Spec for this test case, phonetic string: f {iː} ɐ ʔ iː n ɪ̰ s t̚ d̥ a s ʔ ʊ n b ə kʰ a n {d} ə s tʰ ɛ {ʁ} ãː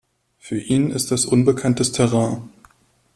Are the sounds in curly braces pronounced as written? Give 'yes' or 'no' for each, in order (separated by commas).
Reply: no, no, yes